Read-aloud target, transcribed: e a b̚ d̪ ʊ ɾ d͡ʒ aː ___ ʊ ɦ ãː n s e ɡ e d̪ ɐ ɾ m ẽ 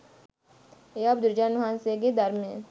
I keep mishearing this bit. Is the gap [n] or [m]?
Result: n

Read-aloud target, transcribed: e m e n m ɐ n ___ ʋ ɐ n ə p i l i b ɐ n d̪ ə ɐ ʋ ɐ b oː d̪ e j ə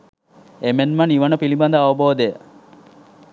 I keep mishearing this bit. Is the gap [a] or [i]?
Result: i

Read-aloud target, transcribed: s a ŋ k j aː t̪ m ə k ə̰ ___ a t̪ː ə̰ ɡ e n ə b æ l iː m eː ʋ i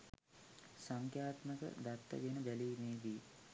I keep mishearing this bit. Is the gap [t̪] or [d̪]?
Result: d̪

